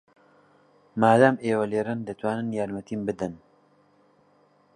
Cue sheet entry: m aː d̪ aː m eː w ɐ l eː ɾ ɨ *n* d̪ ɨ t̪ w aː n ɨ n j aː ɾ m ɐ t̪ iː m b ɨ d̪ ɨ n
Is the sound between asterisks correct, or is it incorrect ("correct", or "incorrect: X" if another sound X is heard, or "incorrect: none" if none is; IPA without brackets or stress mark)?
correct